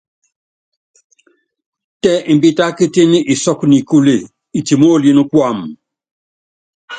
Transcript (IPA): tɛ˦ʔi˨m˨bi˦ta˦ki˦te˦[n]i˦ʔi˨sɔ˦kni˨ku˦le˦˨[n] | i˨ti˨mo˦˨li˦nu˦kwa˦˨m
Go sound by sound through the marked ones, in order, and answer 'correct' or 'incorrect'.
correct, incorrect: none

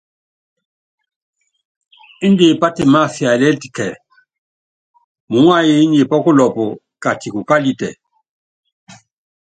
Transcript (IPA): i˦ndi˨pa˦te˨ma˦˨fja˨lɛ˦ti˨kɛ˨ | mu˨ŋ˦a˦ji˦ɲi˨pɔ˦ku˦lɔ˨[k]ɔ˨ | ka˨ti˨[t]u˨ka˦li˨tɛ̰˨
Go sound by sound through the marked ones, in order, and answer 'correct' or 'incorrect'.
incorrect: p, incorrect: k

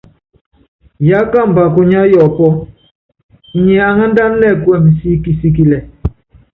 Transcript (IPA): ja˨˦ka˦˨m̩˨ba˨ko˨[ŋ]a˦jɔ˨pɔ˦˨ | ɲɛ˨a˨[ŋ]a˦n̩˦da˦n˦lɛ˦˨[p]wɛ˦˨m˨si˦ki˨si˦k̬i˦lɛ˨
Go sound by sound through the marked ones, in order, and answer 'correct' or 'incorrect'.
incorrect: ɲ, correct, incorrect: k

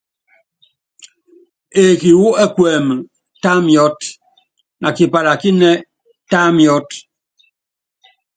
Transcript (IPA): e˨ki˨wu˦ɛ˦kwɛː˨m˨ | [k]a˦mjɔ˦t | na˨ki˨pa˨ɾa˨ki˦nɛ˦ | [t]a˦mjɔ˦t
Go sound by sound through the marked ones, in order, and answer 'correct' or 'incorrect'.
incorrect: t, correct

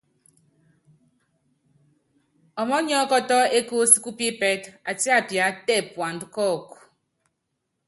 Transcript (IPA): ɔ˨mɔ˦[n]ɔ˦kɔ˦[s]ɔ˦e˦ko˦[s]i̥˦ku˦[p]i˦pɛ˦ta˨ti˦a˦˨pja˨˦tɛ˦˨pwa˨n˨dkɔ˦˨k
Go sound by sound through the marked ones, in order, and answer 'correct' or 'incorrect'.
incorrect: ɲ, incorrect: t, correct, correct

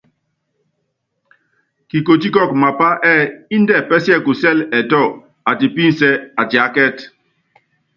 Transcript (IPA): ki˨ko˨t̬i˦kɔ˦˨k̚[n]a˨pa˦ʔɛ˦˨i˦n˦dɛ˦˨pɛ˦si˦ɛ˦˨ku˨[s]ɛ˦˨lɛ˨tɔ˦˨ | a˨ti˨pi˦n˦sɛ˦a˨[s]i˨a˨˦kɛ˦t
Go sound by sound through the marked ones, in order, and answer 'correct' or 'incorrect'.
incorrect: m, correct, incorrect: t

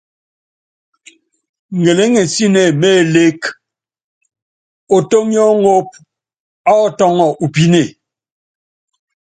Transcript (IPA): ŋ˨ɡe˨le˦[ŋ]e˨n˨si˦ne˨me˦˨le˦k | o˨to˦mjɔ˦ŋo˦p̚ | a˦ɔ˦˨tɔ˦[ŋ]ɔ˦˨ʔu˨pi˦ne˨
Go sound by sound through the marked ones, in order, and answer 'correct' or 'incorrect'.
correct, correct

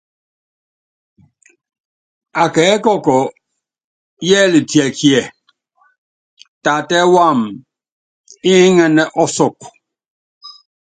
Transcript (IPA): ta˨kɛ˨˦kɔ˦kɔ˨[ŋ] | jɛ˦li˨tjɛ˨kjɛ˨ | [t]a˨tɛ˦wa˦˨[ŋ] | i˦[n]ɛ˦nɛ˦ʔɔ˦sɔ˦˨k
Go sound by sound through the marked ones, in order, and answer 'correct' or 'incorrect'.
incorrect: none, correct, incorrect: m, incorrect: ŋ

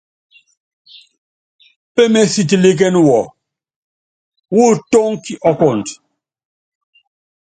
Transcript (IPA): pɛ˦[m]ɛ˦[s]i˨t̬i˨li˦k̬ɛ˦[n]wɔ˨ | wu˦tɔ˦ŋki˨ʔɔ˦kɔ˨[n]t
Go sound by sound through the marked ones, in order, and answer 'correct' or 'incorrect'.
correct, correct, correct, correct

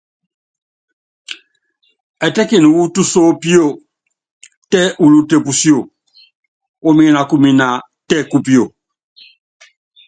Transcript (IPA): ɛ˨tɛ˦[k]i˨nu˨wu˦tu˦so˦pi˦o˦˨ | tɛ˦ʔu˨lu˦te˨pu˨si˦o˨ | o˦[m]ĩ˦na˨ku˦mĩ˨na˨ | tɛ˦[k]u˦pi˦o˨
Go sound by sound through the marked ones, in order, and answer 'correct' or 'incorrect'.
correct, correct, correct

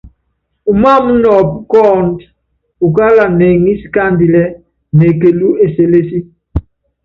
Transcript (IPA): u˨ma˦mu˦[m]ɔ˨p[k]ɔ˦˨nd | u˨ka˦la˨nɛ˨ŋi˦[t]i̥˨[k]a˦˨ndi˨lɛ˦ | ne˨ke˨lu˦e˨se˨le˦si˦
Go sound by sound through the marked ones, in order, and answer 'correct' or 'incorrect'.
incorrect: n, correct, incorrect: s, correct

